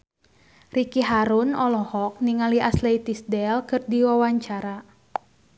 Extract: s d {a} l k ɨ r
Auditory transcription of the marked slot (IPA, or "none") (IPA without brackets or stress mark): ɛ